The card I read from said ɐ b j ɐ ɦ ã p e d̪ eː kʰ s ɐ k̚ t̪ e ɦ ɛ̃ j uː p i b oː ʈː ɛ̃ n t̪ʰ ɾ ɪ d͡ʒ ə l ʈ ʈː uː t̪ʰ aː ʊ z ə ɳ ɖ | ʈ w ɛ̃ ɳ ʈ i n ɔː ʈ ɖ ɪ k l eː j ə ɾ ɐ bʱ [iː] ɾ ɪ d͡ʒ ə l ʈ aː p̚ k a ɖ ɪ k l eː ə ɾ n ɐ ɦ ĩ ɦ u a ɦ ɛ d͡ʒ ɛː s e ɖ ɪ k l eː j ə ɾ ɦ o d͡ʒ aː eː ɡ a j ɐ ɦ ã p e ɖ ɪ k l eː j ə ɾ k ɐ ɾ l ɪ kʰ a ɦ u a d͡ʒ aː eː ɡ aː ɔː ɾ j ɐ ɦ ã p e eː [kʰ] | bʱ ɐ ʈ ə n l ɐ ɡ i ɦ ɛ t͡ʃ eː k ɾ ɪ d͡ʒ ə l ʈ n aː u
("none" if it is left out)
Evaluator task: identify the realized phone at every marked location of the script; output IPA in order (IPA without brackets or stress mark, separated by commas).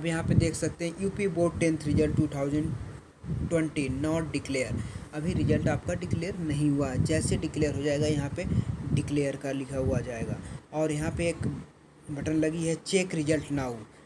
i, k